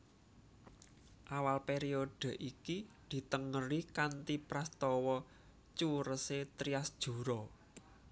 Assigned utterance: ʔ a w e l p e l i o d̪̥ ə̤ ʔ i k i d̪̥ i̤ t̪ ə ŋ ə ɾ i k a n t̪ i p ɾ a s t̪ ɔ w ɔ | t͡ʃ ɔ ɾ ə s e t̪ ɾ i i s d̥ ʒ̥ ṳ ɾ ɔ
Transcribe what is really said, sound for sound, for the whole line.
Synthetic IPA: ʔ a w a l p e ɾ i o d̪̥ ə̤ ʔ i k i d̪̥ i̤ t̪ ə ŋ ə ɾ i k a n t̪ i p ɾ a s t̪ ɔ w ɔ | t͡ʃ u ɾ ə s e t̪ ɾ i a s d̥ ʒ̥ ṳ ɾ ɔ